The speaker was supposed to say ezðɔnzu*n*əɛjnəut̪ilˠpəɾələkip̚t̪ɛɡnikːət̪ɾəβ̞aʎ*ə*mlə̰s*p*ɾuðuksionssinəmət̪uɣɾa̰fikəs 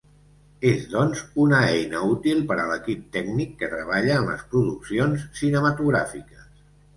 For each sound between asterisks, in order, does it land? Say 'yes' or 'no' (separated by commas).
yes, no, yes